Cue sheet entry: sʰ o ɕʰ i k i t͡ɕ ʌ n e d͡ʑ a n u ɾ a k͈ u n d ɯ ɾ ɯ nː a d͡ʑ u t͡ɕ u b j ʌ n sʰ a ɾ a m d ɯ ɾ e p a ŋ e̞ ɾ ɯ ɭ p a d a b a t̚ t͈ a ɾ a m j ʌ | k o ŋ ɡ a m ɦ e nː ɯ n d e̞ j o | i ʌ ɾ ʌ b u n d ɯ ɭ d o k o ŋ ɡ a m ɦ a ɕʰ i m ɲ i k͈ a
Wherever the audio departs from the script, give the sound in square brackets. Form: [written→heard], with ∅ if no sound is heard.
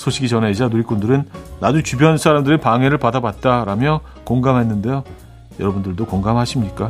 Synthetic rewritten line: sʰ o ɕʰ i [k→ɡ] i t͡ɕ ʌ n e d͡ʑ a n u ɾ [a→i] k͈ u n d ɯ ɾ ɯ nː a d͡ʑ u t͡ɕ u b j ʌ n sʰ a ɾ a m d ɯ ɾ e p a ŋ e̞ ɾ ɯ ɭ p a d a b a t̚ t͈ a ɾ a m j ʌ | k o ŋ ɡ a m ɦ e nː ɯ n d e̞ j o | [i→j] ʌ ɾ ʌ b u n d ɯ ɭ d o k o ŋ ɡ a m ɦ a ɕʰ i m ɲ i k͈ a